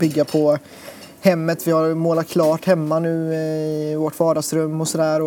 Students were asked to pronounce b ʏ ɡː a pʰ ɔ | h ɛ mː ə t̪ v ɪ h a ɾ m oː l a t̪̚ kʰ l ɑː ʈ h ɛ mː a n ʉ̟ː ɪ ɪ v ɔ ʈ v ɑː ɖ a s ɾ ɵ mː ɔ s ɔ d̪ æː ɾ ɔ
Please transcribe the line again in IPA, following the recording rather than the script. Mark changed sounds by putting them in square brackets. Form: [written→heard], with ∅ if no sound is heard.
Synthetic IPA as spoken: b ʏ ɡː a pʰ ɔ | h ɛ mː ə t̪ v ɪ h a ɾ m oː l a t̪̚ kʰ l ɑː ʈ h ɛ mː a n ʉ̟ː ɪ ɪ v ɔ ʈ v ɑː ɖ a s ɾ ɵ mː ɔ s ɔ d̪ æː ɾ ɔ